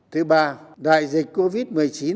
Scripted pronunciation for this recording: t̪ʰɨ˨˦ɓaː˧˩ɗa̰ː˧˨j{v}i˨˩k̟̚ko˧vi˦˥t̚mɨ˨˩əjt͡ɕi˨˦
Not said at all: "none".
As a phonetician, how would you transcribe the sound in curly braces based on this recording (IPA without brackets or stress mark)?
z